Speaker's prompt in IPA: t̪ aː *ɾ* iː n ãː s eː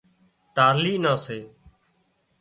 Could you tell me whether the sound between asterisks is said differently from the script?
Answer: yes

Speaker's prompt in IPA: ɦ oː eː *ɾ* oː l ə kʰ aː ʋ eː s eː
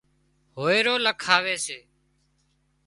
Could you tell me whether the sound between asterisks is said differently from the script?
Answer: no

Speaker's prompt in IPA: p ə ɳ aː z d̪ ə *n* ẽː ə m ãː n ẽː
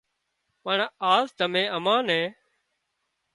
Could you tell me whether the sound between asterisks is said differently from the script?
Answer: yes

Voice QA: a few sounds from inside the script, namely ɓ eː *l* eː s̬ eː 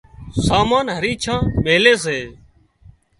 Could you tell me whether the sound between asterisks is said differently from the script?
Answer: no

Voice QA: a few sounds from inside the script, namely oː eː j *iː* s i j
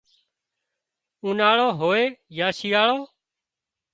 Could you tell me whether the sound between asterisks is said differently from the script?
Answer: yes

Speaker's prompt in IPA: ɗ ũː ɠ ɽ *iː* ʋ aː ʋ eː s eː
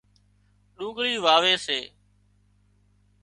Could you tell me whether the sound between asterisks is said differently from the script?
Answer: no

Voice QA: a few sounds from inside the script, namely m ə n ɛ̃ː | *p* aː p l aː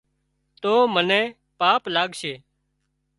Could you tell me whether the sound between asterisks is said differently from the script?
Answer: no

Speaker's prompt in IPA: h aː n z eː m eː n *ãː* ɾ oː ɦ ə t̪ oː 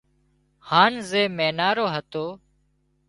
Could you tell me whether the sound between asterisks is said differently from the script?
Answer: yes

